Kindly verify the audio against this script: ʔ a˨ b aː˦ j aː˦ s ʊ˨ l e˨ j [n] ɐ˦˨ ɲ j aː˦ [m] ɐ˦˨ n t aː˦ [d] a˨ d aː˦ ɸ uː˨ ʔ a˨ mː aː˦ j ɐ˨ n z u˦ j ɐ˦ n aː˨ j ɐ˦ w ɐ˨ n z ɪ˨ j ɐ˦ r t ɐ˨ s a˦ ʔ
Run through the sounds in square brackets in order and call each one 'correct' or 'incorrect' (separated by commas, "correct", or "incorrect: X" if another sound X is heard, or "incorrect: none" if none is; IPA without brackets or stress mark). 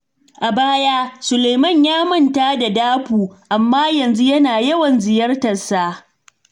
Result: incorrect: m, correct, correct